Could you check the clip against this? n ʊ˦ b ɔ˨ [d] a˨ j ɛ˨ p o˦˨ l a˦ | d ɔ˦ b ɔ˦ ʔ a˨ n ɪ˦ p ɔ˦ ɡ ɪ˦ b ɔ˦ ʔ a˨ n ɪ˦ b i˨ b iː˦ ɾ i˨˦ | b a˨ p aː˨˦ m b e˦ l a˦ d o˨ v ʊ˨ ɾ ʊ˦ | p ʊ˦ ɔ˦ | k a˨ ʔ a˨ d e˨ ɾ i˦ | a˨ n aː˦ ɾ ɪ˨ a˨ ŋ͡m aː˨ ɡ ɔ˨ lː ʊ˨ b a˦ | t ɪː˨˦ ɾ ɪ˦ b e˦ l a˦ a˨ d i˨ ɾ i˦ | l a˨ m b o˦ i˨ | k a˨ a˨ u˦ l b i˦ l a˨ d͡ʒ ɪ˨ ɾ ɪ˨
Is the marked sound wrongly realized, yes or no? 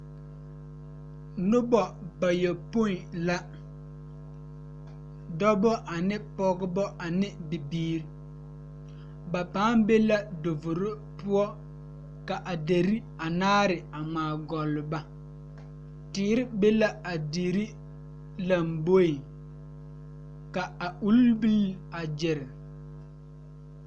yes